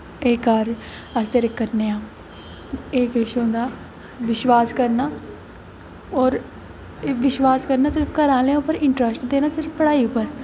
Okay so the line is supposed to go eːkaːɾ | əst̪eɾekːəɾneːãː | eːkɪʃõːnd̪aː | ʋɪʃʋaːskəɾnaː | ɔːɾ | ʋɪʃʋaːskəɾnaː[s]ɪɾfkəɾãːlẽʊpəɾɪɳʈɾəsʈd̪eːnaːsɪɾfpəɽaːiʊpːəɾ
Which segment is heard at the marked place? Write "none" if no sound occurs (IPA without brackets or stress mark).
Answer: s